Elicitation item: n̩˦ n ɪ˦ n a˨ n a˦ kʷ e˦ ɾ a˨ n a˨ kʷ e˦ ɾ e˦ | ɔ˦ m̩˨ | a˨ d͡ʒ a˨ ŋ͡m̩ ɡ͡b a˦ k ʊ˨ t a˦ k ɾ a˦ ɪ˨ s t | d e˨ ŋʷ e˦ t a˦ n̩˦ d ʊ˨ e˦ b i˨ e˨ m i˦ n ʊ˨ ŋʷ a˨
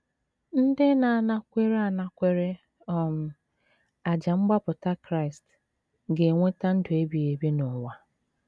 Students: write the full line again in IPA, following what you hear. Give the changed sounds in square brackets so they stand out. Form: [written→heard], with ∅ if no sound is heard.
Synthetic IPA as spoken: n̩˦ [n→d] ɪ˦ n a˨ n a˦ kʷ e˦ ɾ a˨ n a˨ kʷ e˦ ɾ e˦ | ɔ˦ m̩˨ | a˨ d͡ʒ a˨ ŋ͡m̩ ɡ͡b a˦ [k→p] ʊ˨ t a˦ k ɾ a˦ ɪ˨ s t | [d→ɡ] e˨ ŋʷ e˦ t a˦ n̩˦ d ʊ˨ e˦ b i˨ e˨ [m→b] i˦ n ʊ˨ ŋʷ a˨